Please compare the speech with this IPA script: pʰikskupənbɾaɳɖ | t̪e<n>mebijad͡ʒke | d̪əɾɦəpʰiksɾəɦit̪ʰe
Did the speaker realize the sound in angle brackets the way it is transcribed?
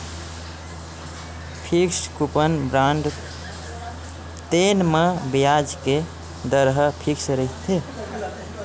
yes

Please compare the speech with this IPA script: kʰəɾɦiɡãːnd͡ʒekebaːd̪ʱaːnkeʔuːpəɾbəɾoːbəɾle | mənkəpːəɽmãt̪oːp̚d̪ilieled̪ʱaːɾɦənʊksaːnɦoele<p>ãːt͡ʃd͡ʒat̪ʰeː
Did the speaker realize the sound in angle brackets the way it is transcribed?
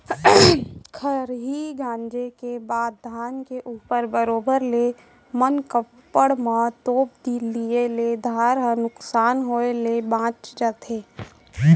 no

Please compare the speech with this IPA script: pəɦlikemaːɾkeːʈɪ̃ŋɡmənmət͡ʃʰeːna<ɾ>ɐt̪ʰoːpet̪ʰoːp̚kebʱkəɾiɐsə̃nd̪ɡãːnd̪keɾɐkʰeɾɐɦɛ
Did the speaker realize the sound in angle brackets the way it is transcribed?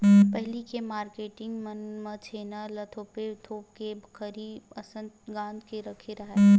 no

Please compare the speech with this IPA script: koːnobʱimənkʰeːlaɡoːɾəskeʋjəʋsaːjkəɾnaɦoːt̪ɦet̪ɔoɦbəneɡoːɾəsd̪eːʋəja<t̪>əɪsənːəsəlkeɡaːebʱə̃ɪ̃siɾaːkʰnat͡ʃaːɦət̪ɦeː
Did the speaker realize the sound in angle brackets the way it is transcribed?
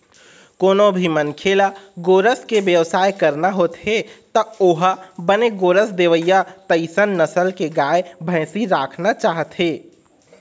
yes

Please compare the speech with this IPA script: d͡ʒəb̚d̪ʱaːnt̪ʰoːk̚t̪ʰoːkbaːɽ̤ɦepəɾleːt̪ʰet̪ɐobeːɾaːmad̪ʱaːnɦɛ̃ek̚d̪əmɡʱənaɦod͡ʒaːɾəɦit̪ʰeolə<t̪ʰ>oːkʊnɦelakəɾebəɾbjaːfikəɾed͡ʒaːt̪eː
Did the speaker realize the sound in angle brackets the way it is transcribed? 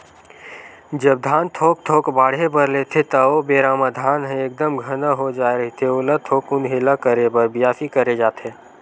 yes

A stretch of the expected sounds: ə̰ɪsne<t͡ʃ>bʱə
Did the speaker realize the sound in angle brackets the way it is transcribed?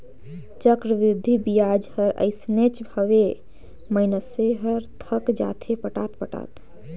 yes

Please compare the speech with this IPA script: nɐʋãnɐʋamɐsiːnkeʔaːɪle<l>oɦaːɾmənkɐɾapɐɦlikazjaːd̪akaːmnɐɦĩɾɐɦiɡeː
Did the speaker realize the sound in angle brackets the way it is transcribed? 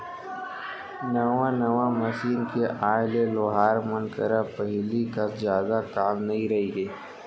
yes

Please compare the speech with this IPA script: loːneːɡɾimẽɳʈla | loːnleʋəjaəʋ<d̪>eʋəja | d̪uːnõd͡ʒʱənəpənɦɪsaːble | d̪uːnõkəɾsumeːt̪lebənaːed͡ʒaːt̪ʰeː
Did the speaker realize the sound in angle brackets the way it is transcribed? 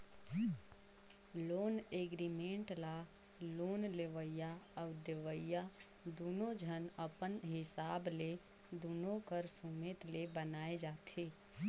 yes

